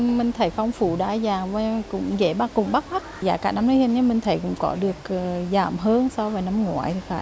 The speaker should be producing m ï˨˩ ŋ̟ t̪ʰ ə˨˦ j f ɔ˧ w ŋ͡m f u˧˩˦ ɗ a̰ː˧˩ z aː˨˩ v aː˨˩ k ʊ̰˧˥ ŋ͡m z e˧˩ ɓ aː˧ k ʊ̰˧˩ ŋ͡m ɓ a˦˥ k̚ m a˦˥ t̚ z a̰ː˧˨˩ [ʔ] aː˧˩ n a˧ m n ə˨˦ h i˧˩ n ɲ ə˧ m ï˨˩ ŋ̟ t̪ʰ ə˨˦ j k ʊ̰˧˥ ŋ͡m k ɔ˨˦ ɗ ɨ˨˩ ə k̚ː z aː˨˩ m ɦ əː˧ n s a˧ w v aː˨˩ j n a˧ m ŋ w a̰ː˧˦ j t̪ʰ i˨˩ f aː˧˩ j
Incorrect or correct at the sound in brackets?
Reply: incorrect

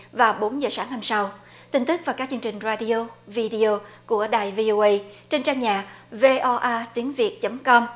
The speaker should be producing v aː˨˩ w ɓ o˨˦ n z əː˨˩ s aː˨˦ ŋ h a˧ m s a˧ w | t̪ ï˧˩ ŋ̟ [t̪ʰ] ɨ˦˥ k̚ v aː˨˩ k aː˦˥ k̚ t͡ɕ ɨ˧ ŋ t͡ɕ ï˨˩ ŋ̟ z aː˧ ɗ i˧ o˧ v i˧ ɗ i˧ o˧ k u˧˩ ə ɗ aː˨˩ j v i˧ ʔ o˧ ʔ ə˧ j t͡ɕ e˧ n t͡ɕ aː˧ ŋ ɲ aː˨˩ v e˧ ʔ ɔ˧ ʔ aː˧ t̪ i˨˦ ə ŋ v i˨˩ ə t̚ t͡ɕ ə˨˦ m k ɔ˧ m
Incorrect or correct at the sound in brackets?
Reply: incorrect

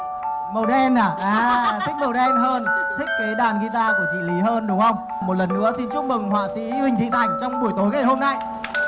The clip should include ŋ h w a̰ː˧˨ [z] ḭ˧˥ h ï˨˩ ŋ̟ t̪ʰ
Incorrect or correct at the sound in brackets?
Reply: incorrect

